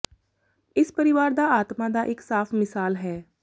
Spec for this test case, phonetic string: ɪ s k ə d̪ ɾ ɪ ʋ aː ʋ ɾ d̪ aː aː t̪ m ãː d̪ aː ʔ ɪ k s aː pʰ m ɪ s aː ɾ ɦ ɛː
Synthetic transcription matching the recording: ɪ s p ə ɾ ɪ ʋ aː ɾ d̪ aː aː t̪ m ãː d̪ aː ʔ ɪ k s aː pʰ m ɪ s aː l ɦ ɛː